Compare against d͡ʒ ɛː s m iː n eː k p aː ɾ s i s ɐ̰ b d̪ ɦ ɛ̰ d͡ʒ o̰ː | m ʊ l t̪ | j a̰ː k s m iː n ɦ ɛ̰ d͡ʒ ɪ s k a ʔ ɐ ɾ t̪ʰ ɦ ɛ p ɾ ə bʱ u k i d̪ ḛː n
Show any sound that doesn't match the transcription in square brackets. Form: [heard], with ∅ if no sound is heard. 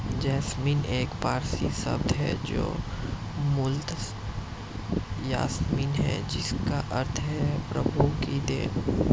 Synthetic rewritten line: d͡ʒ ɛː s m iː n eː k p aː ɾ s i s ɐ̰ b d̪ ɦ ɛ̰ d͡ʒ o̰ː | m ʊ l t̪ | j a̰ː [∅] s m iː n ɦ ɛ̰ d͡ʒ ɪ s k a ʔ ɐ ɾ t̪ʰ ɦ ɛ p ɾ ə bʱ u k i d̪ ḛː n

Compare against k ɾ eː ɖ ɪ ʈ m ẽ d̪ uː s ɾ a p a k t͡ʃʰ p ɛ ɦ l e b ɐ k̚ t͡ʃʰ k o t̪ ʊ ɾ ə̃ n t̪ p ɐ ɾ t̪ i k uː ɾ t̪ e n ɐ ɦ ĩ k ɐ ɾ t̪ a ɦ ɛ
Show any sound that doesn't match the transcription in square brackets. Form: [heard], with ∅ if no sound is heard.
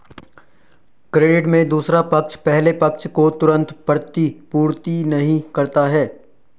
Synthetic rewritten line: k ɾ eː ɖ ɪ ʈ m ẽ d̪ uː s ɾ a p [ɐ] k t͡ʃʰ p ɛ ɦ l e [p] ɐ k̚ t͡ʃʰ k o t̪ ʊ ɾ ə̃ n t̪ p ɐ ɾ t̪ i [p] uː ɾ t̪ [i] n ɐ ɦ ĩ k ɐ ɾ t̪ a ɦ [ɛː]

